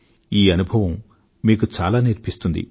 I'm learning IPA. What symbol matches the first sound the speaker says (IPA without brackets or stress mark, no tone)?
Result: iː